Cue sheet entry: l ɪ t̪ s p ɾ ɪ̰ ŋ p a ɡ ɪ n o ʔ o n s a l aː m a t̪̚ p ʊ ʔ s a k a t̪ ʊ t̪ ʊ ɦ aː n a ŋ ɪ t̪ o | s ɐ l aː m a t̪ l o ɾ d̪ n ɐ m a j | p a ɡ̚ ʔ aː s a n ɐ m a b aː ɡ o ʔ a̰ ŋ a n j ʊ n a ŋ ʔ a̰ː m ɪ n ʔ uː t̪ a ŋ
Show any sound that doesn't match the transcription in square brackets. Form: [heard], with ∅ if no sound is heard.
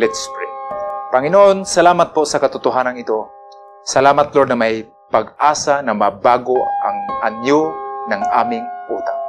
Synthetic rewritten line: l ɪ t̪ s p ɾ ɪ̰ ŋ p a [ŋ] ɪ n o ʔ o n s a l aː m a t̪̚ p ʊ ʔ s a k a t̪ ʊ t̪ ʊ ɦ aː n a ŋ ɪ t̪ o | s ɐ l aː m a t̪ l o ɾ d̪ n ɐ m a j | p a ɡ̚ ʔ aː s a n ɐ m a b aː ɡ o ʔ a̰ ŋ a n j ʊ n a ŋ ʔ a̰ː m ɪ [ŋ] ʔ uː t̪ a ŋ